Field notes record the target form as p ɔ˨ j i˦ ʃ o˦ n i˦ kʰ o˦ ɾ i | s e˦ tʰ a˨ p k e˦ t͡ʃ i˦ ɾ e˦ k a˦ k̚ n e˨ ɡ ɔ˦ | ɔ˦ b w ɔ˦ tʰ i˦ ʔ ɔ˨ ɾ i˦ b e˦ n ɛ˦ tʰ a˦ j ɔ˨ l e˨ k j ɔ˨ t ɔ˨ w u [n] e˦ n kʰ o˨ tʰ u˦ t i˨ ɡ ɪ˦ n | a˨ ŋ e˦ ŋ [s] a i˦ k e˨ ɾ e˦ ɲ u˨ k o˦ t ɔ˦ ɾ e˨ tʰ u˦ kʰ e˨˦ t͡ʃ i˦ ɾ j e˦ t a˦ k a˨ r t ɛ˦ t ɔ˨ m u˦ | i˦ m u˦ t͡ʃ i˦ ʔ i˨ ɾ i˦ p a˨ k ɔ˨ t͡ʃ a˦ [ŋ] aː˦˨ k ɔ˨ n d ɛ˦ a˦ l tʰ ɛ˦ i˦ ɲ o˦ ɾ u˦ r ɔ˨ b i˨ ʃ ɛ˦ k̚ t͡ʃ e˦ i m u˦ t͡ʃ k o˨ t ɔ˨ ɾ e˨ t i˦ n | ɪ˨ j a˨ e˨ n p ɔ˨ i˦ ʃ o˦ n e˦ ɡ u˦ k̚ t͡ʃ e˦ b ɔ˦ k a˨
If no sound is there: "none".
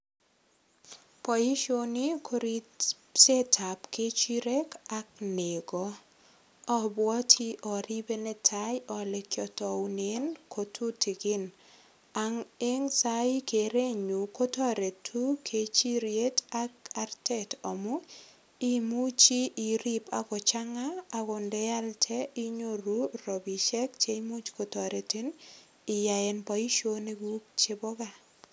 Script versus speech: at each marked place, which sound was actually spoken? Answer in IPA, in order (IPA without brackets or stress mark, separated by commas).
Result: n, s, ŋ